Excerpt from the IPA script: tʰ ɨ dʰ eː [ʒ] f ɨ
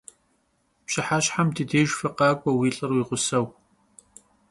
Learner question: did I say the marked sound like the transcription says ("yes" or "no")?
yes